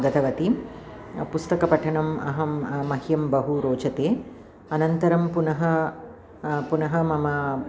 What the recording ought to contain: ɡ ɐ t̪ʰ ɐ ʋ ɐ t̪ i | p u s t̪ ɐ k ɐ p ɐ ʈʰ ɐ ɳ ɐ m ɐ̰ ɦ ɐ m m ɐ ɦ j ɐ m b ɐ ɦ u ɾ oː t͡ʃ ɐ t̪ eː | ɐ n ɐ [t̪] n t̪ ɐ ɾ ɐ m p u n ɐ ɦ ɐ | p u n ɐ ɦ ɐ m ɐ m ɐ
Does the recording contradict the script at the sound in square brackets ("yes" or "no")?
yes